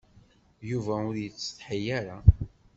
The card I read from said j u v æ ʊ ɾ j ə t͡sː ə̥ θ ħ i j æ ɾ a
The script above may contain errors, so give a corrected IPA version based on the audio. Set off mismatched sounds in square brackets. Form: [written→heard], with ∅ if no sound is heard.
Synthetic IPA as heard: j u v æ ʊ ɾ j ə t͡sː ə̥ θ ħ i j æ ɾ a